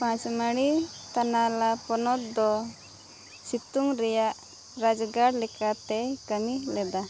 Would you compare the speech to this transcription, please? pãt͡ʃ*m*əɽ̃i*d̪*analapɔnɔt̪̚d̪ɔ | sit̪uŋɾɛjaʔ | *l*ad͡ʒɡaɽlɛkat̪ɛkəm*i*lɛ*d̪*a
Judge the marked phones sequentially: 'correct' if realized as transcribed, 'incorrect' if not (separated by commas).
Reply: correct, incorrect, incorrect, correct, correct